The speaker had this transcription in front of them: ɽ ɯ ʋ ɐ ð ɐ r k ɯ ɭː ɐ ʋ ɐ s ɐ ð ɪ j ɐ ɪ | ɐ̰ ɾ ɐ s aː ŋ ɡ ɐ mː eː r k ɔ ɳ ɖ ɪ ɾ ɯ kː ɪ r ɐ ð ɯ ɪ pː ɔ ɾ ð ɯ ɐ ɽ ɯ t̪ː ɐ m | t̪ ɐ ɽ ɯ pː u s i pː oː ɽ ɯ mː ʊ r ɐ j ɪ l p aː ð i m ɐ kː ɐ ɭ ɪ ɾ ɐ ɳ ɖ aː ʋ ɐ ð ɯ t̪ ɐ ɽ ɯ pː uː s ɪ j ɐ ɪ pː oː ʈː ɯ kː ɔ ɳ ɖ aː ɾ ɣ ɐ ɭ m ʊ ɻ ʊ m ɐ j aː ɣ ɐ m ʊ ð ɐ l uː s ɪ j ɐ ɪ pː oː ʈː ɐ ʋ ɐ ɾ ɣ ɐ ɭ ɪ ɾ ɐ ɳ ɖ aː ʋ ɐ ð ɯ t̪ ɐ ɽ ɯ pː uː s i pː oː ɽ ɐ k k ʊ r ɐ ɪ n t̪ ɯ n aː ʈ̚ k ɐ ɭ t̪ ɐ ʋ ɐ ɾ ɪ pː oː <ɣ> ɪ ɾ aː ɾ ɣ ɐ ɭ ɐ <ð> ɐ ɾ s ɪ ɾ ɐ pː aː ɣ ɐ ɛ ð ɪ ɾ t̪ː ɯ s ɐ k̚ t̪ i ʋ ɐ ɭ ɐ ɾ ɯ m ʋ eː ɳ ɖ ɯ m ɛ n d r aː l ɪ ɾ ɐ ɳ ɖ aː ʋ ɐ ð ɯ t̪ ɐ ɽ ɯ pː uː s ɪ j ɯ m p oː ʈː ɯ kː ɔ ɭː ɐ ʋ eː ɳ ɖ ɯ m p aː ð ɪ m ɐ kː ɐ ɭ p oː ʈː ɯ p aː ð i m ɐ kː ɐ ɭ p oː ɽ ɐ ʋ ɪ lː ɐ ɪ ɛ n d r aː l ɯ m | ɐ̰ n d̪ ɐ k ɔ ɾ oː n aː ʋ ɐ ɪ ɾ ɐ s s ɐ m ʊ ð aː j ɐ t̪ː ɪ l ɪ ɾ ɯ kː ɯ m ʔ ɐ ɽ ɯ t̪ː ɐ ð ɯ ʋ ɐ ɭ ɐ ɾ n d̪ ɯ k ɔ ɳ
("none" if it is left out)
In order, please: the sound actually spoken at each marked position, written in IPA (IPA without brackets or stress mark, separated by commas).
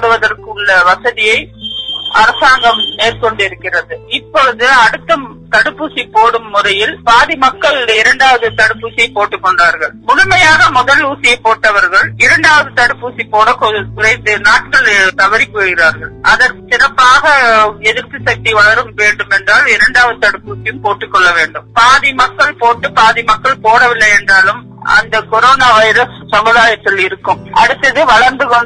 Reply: ɣ, ð